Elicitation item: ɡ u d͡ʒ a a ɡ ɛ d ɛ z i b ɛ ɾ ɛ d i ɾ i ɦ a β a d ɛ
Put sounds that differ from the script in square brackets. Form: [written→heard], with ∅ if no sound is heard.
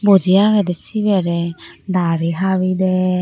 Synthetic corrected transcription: [ɡ→b] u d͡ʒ [a→i] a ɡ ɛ d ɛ [z→s] i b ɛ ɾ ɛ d [i→a] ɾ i ɦ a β [a→i] d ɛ